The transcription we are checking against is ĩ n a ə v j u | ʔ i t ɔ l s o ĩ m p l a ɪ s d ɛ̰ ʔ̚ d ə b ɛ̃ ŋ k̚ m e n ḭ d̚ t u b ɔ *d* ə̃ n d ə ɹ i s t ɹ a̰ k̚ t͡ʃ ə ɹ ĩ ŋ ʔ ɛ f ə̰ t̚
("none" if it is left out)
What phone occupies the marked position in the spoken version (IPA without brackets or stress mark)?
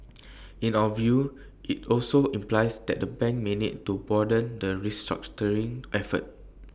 d